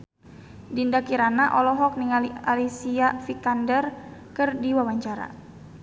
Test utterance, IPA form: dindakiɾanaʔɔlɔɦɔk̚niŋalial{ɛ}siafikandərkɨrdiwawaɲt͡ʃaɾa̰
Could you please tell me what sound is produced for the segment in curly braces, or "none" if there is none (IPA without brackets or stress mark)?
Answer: i